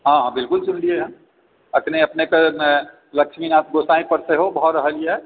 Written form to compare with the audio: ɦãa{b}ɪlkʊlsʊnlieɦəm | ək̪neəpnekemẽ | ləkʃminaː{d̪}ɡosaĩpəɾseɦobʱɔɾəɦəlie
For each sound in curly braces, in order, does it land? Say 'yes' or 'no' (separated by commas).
yes, no